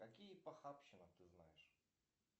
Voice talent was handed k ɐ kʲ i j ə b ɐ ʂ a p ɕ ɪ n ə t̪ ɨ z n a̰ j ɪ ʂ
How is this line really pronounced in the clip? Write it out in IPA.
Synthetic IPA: k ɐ kʲ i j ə p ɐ x a p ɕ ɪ n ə t̪ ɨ z n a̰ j ɪ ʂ